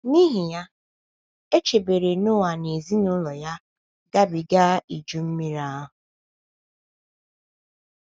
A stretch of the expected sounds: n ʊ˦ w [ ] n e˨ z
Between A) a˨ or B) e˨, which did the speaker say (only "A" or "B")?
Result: A